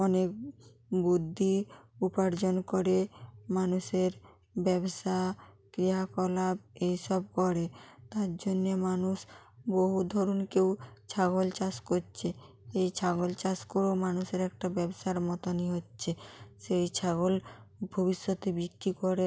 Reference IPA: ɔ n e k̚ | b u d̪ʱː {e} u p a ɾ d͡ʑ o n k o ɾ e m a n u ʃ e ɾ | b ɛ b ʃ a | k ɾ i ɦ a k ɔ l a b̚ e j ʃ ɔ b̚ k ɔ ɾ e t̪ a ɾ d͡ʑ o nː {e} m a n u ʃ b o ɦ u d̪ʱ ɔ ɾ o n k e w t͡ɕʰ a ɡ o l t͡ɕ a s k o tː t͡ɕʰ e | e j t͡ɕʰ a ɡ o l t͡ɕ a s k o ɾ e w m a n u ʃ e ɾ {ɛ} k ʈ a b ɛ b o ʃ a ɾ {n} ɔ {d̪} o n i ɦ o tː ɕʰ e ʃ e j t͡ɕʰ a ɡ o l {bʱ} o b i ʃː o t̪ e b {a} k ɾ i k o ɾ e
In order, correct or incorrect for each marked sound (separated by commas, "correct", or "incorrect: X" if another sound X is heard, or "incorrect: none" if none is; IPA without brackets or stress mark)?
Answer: incorrect: i, correct, correct, incorrect: m, incorrect: t̪, correct, incorrect: i